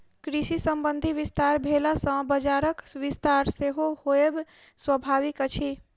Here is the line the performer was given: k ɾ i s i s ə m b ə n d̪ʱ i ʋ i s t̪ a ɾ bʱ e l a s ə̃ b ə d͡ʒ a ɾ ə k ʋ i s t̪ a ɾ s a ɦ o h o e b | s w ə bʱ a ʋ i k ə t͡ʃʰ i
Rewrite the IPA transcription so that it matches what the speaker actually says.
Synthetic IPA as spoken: k ɾ i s i s ə m b ə n d̪ʱ i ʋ i s t̪ a ɾ bʱ e l a s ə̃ b ə d͡ʒ a ɾ ə k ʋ i s t̪ a ɾ s e ɦ o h o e b | s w ə bʱ a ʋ i k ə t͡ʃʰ i